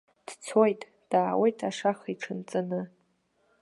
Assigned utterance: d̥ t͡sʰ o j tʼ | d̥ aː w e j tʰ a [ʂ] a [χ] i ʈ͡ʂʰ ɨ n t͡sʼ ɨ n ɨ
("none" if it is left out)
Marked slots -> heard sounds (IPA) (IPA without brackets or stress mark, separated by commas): ʂ, χ